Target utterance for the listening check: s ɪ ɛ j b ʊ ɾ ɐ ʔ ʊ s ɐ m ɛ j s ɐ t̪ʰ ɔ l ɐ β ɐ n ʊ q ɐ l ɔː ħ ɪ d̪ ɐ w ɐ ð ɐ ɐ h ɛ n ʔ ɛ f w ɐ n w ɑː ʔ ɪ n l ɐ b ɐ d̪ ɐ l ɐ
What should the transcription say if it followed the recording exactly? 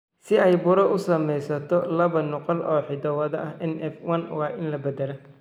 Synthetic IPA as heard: s ɪ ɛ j b ʊ ɾ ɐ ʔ ʊ s ɐ m ɛ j s ɐ t̪ʰ ɔ l ɐ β ɐ n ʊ q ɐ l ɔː ħ ɪ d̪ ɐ w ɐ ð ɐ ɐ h ɛ n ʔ ɛ f w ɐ n w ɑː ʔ ɪ n l ɐ b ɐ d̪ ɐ l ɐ